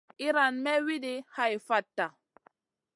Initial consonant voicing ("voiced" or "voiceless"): voiced